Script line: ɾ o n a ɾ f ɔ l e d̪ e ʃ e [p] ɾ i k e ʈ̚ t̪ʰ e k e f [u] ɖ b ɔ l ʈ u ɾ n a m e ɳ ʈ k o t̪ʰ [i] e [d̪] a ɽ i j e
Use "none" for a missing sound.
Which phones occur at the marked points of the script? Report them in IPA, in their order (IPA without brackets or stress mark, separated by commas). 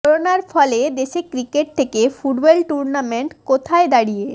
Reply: k, u, a, d̪